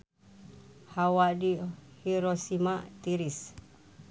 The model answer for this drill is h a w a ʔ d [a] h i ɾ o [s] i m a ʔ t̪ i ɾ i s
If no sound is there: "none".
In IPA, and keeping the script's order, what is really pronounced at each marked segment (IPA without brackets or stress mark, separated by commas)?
i, s